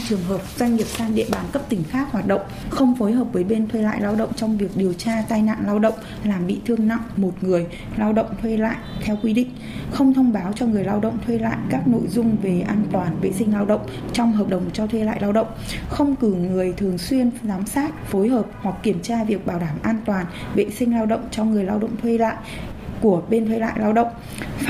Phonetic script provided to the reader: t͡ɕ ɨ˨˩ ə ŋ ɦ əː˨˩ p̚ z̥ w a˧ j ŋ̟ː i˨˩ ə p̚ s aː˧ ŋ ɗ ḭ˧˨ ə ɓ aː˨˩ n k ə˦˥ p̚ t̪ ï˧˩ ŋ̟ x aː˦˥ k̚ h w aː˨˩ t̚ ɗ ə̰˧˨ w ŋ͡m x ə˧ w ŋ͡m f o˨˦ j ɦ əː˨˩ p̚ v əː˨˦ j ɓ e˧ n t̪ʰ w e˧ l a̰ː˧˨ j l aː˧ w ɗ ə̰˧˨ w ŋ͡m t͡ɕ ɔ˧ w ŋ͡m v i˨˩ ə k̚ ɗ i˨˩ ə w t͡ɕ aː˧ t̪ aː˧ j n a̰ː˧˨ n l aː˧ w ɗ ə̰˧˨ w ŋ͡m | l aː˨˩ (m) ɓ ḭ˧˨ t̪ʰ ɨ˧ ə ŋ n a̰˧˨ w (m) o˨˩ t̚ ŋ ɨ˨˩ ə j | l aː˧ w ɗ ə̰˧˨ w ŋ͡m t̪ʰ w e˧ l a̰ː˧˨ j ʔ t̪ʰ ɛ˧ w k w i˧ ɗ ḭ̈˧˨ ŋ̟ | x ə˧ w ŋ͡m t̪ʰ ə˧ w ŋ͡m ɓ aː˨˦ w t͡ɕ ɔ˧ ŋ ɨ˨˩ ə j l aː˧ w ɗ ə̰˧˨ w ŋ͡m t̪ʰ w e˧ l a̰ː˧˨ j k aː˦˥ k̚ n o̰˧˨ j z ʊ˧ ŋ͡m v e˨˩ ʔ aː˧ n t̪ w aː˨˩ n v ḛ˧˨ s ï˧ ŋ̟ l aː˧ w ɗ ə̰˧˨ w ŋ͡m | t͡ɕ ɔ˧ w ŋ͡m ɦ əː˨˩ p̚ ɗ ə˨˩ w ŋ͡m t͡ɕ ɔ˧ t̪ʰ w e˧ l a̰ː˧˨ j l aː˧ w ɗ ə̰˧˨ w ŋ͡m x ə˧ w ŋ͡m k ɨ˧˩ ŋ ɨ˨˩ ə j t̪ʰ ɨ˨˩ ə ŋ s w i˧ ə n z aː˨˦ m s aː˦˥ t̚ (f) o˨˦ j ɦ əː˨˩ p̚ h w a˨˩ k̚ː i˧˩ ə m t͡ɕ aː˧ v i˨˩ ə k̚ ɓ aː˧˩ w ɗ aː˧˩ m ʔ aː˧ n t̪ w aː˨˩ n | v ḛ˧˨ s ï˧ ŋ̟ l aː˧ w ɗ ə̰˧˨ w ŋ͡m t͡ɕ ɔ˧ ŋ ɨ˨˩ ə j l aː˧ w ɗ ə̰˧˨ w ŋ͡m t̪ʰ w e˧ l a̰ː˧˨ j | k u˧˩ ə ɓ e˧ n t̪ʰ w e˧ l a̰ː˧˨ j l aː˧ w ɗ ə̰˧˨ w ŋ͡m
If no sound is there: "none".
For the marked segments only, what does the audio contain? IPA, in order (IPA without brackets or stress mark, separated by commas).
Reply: m, m, f